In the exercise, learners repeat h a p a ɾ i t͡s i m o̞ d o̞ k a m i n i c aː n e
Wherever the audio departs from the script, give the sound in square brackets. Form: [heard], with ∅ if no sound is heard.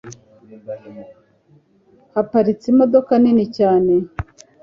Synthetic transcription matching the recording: h a p a ɾ i t͡s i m o̞ d o̞ k a [n] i n i c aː n e